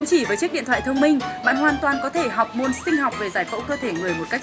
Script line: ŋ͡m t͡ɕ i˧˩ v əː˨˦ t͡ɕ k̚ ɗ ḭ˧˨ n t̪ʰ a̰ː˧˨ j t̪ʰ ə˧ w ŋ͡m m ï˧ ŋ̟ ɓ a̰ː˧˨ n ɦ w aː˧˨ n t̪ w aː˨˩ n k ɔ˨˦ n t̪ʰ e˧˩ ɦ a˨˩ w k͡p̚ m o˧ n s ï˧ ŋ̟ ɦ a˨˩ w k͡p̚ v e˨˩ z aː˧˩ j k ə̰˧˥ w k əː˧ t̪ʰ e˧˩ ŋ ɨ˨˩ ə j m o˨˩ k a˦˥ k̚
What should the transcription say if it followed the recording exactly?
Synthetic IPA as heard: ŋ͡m t͡ɕ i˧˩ v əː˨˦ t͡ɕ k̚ ɗ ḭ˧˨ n t̪ʰ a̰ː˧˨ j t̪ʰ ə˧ w ŋ͡m m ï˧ ŋ̟ ɓ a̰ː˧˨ n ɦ w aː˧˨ n t̪ w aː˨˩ n k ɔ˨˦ t̪ʰ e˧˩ ɦ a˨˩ w k͡p̚ m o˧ n s ï˧ ŋ̟ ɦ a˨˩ w k͡p̚ v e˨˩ z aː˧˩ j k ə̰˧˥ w k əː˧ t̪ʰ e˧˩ ŋ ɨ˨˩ ə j m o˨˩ k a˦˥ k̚